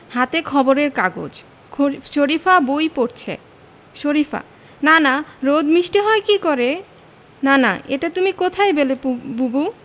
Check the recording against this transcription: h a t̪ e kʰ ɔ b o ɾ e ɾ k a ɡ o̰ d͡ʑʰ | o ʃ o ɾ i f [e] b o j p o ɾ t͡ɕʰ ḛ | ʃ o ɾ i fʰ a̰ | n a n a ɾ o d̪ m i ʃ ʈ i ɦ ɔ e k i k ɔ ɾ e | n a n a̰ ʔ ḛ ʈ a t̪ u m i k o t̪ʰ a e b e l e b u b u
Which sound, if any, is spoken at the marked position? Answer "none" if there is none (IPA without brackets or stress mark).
a